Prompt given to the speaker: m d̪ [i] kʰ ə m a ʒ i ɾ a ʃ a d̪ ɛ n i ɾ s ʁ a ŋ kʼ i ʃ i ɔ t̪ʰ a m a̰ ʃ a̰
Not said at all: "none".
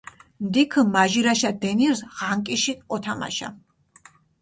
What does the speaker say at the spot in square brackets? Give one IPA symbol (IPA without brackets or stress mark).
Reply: i